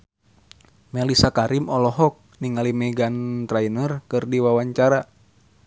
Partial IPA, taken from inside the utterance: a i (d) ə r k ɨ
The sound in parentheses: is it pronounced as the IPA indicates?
no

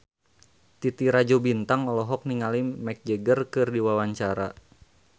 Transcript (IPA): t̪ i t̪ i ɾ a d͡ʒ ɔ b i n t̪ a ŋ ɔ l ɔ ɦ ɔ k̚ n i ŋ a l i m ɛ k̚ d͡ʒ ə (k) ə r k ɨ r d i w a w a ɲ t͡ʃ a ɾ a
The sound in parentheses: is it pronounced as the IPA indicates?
no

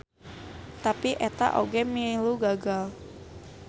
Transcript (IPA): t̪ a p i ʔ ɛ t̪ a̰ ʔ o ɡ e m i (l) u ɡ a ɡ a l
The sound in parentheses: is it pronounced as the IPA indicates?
yes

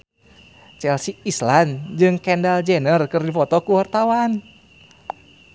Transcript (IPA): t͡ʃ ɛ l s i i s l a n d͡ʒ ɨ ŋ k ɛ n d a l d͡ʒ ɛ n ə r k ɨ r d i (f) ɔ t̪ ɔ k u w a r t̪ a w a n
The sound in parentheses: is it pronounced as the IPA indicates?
yes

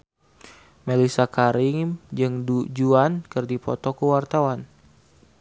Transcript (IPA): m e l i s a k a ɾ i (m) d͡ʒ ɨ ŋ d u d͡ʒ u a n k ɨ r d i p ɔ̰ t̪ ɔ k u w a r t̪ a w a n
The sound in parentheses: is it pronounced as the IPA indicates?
no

